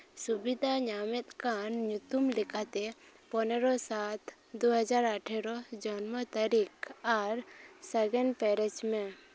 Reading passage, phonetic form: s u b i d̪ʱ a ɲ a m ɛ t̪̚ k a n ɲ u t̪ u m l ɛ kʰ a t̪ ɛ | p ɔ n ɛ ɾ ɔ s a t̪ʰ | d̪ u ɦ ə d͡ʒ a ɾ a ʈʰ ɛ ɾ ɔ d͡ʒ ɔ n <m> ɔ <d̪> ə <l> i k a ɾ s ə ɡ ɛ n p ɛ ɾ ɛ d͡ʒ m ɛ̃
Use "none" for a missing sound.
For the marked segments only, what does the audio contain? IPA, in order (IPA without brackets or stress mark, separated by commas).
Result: m, t̪, ɾ